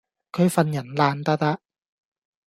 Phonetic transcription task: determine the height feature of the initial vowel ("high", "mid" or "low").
mid